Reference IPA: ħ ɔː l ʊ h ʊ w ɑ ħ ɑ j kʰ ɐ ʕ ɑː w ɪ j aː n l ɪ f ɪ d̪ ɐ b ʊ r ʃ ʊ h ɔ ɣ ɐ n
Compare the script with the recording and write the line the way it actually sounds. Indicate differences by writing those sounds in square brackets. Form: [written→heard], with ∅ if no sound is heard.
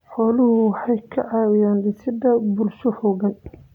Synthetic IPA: ħ ɔː l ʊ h ʊ w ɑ ħ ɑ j kʰ ɐ ʕ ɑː w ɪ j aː n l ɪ [f→s] ɪ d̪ ɐ b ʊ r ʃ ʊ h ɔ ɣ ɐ n